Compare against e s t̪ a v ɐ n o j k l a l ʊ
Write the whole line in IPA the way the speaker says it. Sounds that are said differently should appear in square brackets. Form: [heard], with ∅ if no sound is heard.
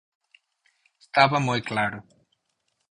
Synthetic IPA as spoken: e s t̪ a v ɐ [m] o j k l a [ɾ] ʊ